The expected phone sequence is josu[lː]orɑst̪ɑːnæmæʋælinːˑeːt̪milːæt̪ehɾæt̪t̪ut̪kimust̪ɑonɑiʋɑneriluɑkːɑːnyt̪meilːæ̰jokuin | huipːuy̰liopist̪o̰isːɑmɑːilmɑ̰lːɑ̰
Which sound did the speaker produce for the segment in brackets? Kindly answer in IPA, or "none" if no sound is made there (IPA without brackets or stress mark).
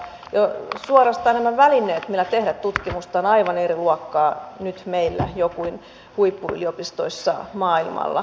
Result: none